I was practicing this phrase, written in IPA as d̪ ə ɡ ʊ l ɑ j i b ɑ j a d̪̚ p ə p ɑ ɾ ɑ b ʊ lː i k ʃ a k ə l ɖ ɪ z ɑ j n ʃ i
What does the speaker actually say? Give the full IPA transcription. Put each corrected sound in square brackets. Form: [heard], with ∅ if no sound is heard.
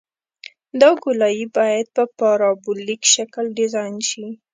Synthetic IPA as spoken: d̪ [ɑ] ɡ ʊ l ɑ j i b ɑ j a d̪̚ p ə p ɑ ɾ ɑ b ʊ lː i k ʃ a k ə l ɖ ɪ z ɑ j n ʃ i